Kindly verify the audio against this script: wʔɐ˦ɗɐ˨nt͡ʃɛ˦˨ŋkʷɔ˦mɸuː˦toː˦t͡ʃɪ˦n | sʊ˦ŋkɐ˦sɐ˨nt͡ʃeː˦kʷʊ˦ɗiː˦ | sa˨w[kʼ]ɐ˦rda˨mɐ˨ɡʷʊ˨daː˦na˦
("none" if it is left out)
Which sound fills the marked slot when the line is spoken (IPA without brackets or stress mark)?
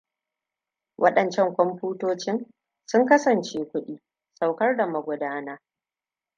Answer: k